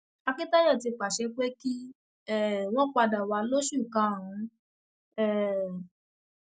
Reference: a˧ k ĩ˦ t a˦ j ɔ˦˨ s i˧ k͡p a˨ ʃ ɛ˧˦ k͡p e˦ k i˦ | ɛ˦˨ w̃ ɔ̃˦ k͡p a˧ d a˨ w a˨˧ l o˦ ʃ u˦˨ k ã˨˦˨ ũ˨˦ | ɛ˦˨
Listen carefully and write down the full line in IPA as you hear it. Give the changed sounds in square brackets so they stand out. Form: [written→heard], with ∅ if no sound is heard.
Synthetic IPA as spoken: a˧ k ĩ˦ t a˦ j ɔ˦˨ [s→t] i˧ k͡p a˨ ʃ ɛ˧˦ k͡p e˦ k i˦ | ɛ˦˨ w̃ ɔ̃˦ k͡p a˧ d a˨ w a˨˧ l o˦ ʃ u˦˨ k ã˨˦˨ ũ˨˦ | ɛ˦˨

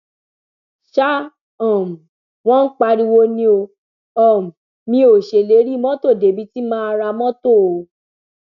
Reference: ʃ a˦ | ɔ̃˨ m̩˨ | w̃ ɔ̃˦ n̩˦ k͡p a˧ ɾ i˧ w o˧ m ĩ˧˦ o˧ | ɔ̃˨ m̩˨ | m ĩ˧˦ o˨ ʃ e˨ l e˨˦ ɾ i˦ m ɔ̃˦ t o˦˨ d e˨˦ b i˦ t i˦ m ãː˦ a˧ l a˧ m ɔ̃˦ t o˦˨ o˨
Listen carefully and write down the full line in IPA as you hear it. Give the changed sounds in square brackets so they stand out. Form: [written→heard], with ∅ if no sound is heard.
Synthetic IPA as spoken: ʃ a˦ | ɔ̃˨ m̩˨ | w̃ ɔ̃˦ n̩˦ k͡p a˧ ɾ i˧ w o˧ [m→n] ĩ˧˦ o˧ | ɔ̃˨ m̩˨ | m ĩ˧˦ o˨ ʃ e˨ l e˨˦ ɾ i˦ m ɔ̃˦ t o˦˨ d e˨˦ b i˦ t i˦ m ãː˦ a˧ [l→ɾ] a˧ m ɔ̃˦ t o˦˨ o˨

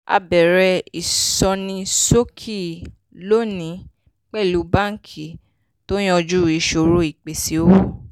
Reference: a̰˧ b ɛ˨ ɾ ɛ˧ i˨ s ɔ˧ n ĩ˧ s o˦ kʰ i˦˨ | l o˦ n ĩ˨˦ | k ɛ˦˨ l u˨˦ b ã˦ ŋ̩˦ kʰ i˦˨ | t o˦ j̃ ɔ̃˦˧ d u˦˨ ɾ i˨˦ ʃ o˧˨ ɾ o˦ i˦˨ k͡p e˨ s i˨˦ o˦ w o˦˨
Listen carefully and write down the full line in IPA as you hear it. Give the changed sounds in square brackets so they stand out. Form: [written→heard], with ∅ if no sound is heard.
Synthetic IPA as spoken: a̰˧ b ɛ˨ ɾ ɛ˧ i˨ s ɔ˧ n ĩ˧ s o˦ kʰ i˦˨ | l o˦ n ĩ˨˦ | [k→k͡p] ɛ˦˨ l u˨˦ b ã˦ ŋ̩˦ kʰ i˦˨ | t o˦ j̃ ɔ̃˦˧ [d→d͡ʒ] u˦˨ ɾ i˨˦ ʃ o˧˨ ɾ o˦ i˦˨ k͡p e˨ s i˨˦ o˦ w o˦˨

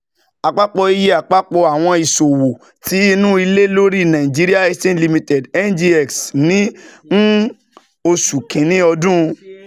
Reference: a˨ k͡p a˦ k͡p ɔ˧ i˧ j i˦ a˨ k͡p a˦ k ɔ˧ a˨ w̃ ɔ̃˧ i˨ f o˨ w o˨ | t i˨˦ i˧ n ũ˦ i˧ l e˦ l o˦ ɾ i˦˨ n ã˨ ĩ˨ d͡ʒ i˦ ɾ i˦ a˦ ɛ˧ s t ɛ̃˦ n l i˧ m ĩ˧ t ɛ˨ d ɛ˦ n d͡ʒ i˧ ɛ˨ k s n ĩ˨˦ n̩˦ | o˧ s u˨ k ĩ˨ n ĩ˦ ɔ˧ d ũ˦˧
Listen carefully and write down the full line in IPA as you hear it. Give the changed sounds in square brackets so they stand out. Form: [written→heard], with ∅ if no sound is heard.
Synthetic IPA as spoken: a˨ k͡p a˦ k͡p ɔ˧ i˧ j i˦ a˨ k͡p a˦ [k→k͡p] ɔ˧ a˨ w̃ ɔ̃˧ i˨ [f→s] o˨ w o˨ | t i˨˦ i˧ n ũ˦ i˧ l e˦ l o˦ ɾ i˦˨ n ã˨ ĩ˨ d͡ʒ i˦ ɾ i˦ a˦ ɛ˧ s t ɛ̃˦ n l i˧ m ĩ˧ t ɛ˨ d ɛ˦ n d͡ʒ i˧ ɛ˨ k s n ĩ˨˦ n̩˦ | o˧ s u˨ k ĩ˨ n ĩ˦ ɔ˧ d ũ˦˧

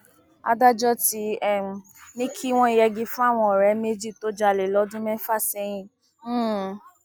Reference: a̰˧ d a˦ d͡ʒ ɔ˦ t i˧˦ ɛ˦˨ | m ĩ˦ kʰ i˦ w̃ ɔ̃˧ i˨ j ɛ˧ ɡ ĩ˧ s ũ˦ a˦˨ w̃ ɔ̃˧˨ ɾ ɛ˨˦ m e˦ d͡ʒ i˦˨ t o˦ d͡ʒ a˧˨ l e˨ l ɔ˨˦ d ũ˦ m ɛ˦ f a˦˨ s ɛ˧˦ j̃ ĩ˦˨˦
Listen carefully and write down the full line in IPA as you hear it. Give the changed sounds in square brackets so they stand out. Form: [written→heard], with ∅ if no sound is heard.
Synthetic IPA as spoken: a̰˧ d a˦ d͡ʒ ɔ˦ t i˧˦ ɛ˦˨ | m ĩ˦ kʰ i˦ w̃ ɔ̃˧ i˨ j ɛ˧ ɡ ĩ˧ [s→f] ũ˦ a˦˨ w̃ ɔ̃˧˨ ɾ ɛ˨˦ m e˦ d͡ʒ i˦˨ t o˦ d͡ʒ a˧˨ l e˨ l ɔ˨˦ d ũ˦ m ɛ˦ f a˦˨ s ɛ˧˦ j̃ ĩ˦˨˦

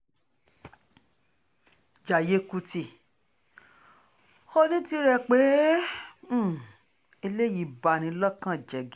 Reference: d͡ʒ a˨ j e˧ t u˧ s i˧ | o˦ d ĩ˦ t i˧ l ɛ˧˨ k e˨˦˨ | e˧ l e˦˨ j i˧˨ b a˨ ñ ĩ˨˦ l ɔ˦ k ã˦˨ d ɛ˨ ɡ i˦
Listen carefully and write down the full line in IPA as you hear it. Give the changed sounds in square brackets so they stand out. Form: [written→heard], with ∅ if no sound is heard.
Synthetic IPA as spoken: d͡ʒ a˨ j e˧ [t→k] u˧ [s→t] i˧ | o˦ [d→n] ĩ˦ t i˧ [l→ɾ] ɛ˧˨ [k→k͡p] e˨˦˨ | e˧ l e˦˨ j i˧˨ b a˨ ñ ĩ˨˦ l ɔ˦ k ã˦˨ [d→d͡ʒ] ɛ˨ ɡ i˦

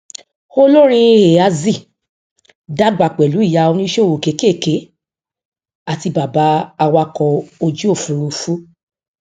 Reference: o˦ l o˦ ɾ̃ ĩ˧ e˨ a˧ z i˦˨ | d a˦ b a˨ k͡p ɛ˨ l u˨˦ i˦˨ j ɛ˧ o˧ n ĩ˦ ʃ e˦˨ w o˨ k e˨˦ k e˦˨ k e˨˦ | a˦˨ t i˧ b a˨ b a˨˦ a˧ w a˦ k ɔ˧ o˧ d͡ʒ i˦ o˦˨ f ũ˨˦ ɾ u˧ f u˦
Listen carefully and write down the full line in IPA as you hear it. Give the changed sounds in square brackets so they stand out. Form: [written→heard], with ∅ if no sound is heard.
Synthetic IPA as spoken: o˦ l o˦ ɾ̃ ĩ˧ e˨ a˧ z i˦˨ | d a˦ [b→ɡ͡b] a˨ k͡p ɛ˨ l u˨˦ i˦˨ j [ɛ˧→a˧] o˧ n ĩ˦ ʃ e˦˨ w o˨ k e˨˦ k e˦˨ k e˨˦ | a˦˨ t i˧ b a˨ b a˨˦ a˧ w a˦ k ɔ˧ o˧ d͡ʒ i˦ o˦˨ f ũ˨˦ ɾ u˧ f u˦

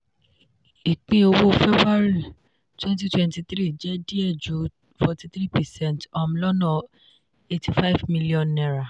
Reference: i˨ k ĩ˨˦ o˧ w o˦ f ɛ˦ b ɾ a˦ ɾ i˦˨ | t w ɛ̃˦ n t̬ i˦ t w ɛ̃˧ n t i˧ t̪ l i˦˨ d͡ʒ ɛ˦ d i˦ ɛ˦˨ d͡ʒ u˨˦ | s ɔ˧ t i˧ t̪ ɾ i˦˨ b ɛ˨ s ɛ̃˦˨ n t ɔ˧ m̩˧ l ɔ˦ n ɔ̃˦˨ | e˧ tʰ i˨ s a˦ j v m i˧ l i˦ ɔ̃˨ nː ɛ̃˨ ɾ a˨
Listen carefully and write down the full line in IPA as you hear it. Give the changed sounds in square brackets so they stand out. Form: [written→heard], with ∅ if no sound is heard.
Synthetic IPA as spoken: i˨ [k→k͡p] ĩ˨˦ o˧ w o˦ f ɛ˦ b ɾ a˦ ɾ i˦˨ | t w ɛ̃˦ n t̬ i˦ t w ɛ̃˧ n t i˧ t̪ [l→ɾ] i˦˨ d͡ʒ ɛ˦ d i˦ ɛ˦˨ d͡ʒ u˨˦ | [s→f] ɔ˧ t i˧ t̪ ɾ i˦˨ [b→p] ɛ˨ s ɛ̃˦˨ n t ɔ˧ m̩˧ l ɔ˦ n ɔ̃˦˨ | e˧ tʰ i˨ [s→f] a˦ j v m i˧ l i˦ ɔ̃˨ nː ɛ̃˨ ɾ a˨

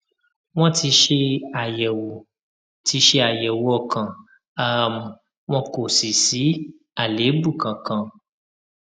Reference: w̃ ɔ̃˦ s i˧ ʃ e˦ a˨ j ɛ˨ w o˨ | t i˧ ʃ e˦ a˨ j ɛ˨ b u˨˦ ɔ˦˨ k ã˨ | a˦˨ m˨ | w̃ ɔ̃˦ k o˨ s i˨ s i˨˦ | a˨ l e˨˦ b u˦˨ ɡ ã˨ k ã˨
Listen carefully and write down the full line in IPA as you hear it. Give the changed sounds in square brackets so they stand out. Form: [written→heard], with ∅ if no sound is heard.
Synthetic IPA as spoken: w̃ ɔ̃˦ [s→t] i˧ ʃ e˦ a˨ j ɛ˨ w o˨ | t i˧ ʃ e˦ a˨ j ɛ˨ [b→w] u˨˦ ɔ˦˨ k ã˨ | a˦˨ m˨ | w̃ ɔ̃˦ k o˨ s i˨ s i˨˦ | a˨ l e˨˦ b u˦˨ [ɡ→k] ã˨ k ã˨

